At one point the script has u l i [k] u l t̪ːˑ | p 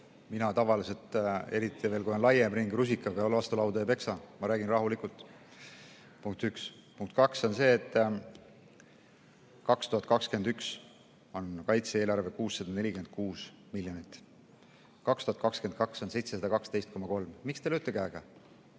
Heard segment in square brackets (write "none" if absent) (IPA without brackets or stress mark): k